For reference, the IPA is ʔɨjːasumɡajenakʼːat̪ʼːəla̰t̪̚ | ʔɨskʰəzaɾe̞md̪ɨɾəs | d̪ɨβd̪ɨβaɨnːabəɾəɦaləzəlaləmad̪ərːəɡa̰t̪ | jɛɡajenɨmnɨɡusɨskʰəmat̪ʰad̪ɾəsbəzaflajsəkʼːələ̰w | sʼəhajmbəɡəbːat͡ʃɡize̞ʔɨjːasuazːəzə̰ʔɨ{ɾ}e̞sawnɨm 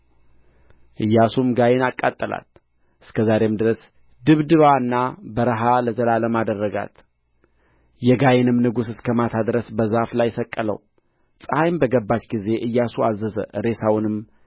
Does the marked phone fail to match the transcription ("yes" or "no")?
no